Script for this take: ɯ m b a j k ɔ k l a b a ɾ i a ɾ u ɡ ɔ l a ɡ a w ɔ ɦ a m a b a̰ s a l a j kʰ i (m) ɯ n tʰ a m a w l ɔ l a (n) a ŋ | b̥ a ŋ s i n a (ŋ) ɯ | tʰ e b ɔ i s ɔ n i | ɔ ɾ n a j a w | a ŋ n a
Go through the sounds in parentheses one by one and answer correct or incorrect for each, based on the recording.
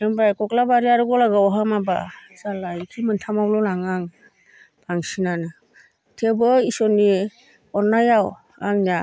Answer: correct, incorrect, incorrect

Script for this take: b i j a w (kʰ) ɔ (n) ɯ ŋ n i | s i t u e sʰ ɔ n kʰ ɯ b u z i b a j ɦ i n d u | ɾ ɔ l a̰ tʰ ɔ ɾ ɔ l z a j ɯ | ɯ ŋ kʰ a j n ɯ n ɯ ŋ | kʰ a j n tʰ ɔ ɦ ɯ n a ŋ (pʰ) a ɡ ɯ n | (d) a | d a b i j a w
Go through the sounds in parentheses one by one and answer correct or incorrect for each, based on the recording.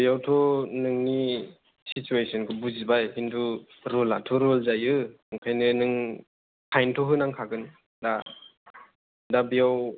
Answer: incorrect, correct, incorrect, correct

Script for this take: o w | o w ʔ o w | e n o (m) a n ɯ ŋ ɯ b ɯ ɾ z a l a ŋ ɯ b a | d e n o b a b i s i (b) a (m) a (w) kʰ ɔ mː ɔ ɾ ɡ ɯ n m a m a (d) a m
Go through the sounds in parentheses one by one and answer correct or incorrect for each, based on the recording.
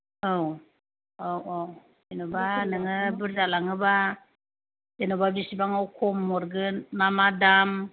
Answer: incorrect, correct, incorrect, correct, correct

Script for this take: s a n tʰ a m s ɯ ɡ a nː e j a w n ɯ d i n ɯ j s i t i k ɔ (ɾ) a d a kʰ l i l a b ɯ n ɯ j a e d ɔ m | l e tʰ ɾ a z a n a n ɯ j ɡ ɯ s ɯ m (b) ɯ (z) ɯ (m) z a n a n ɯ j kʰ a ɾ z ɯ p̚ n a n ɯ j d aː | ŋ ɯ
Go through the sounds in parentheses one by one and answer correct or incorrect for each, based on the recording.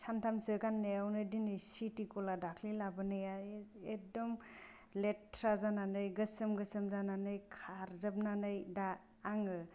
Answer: incorrect, incorrect, incorrect, correct

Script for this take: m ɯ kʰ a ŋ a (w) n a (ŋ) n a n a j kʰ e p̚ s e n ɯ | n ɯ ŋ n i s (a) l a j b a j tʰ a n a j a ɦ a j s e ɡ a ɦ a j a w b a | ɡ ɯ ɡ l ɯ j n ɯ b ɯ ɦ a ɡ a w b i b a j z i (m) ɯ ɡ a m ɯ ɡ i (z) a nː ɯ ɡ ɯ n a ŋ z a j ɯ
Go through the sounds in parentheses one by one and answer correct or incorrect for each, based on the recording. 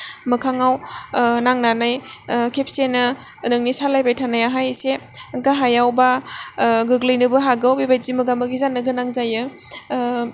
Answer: correct, correct, correct, correct, correct

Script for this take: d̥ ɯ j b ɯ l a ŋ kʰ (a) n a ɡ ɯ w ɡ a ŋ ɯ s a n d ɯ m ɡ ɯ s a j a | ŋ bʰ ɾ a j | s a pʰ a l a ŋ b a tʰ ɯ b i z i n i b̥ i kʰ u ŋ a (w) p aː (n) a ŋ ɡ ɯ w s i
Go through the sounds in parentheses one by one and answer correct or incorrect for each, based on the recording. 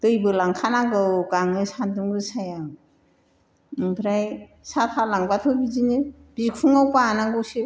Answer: correct, correct, correct

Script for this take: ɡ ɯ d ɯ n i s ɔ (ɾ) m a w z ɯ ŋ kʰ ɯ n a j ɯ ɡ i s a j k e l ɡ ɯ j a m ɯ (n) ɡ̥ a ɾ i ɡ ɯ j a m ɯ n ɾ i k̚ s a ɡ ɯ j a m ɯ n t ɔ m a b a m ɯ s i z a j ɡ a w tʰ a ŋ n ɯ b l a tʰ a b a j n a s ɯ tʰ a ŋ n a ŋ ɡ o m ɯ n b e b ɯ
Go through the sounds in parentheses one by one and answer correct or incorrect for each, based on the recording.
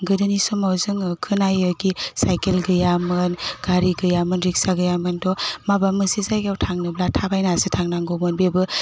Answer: incorrect, correct

